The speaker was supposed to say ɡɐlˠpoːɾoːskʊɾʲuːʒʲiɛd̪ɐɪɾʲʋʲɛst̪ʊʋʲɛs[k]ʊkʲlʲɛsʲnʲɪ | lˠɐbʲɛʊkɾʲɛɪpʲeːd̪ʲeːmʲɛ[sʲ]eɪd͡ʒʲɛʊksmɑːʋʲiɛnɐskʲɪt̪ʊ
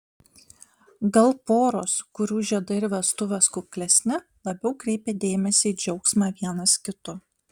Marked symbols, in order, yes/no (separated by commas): yes, yes